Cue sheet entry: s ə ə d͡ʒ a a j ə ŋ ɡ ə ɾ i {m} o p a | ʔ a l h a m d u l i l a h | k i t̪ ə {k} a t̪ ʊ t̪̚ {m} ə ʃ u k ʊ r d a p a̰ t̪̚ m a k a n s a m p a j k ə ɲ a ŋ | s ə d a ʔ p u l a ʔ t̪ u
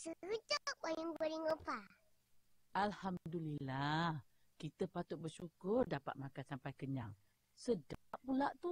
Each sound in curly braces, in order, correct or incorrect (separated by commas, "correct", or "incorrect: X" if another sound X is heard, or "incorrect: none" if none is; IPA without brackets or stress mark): incorrect: ŋ, incorrect: p, incorrect: b